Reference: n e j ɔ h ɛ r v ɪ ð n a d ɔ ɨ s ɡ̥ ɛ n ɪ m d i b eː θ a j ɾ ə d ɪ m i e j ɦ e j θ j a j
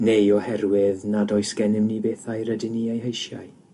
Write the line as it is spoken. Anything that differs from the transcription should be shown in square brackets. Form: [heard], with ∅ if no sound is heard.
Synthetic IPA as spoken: n e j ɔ h ɛ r [w] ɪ ð n a d ɔ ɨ s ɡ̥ ɛ n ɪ m [n] i b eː θ a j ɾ ə d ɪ [n] i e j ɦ e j [ʃ] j a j